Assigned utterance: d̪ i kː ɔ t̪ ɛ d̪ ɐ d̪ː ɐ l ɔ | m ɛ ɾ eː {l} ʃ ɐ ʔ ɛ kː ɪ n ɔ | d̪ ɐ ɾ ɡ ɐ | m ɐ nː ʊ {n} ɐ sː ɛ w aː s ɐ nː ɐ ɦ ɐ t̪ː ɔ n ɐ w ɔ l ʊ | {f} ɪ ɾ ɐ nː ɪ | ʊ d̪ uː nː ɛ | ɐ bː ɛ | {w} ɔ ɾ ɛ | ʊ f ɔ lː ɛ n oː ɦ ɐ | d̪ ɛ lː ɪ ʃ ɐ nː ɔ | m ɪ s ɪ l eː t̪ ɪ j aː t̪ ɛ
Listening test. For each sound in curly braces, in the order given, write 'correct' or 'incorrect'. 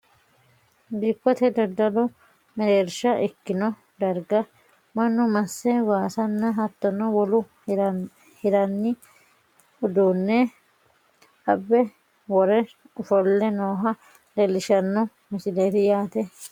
incorrect: ɾ, incorrect: m, incorrect: h, correct

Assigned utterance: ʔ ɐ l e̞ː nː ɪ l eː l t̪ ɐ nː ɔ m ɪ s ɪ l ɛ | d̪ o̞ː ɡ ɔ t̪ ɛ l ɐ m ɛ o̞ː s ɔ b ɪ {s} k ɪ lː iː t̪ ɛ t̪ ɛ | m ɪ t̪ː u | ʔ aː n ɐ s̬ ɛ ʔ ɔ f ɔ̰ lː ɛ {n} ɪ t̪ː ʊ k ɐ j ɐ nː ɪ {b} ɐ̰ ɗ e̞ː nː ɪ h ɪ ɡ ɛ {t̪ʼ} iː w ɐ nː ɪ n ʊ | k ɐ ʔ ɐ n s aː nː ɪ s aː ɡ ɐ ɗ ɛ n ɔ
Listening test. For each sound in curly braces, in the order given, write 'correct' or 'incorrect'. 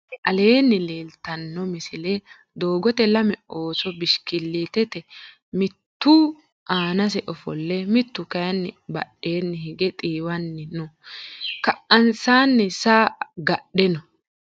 incorrect: ʃ, incorrect: m, correct, correct

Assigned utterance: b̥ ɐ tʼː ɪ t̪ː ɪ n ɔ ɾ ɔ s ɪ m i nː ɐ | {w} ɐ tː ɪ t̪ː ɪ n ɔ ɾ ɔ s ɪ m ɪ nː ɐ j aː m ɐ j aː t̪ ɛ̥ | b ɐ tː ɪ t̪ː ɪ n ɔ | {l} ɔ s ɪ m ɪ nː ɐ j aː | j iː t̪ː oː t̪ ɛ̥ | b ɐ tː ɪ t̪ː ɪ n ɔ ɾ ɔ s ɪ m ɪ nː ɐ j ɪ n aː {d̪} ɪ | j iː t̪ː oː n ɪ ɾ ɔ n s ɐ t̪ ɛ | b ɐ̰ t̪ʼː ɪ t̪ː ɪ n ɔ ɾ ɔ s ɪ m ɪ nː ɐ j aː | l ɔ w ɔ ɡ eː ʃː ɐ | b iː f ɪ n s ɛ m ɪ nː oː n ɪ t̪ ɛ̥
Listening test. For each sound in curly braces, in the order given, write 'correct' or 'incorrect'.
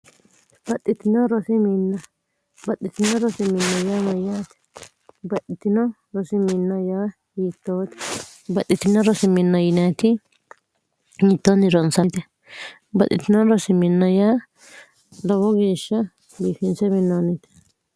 incorrect: b, incorrect: ɾ, incorrect: t̪

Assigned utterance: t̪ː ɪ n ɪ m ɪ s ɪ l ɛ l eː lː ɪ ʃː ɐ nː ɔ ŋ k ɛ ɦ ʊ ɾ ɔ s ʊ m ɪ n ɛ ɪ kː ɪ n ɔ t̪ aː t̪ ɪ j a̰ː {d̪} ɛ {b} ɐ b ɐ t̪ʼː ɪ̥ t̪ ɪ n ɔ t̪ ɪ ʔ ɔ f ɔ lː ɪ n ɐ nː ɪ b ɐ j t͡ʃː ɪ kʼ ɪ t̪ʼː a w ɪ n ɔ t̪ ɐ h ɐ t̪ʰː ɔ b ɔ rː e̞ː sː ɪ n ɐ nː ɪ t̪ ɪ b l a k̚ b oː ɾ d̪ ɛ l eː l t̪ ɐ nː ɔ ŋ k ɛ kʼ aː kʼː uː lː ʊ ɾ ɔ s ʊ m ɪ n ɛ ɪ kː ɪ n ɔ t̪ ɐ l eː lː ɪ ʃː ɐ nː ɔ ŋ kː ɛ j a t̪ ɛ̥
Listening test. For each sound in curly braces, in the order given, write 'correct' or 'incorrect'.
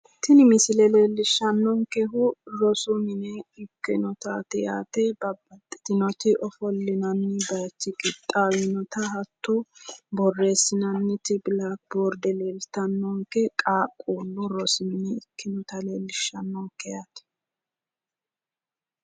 incorrect: t̪, correct

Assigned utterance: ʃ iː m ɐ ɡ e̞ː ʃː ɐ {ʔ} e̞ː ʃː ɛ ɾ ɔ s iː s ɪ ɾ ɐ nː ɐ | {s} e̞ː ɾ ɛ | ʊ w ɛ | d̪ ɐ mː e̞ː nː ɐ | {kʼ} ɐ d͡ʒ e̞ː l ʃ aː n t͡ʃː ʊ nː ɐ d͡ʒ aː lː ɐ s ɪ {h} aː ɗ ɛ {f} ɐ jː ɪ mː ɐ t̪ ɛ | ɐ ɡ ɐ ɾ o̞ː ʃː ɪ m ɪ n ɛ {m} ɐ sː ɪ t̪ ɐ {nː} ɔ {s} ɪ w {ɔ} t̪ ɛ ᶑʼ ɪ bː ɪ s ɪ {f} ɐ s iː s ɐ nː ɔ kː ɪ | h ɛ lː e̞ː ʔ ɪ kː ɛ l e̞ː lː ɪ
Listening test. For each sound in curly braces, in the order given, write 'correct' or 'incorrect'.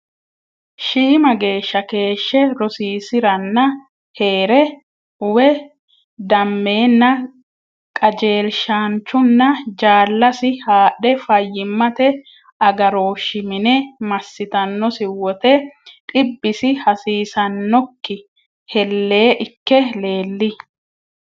incorrect: k, incorrect: h, correct, correct, correct, correct, correct, correct, correct, incorrect: h

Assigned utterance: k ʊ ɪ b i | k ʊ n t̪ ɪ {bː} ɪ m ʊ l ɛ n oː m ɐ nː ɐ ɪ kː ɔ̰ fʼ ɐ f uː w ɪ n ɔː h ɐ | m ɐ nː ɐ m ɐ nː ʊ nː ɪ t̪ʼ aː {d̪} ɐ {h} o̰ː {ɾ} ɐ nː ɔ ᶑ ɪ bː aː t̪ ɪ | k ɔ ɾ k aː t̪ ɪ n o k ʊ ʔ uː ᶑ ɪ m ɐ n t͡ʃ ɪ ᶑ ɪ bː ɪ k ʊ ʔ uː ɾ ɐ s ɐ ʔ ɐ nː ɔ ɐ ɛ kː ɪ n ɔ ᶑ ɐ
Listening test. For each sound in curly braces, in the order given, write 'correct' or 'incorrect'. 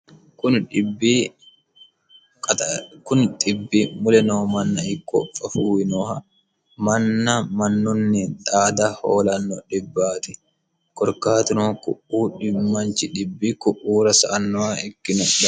correct, correct, correct, incorrect: l

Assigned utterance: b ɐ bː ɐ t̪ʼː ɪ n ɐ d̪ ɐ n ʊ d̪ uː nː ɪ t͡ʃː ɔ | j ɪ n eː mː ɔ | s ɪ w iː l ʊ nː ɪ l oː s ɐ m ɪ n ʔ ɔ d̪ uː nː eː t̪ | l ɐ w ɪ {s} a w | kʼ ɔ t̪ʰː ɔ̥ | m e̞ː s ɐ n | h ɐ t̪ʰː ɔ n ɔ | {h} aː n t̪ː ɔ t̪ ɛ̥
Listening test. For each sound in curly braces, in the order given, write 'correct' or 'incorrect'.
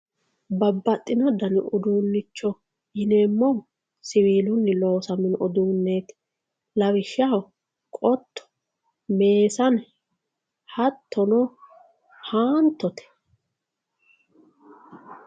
incorrect: ʃ, correct

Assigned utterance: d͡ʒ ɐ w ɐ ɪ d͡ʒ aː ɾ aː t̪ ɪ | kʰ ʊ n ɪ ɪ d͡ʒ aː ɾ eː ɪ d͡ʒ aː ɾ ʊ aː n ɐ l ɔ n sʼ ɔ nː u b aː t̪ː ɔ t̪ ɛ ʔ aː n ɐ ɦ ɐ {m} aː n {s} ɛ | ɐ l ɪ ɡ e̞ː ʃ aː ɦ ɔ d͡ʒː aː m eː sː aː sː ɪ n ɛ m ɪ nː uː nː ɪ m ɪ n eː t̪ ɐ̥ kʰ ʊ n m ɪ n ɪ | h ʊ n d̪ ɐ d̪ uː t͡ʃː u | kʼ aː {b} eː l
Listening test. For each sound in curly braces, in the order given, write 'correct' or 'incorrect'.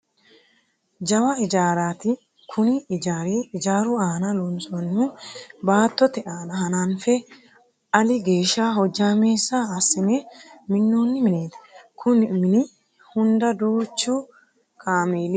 incorrect: n, incorrect: f, incorrect: m

